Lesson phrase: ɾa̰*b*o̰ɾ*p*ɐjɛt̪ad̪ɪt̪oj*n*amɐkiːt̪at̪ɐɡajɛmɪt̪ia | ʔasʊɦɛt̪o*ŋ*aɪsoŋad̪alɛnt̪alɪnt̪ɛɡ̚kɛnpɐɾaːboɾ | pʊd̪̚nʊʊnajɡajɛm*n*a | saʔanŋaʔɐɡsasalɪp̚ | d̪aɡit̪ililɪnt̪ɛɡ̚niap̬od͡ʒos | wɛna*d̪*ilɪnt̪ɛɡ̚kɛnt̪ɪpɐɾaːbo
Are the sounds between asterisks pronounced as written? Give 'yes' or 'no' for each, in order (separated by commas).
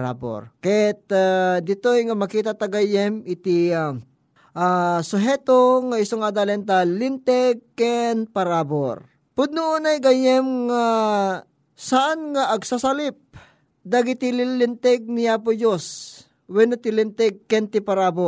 yes, no, no, yes, no, no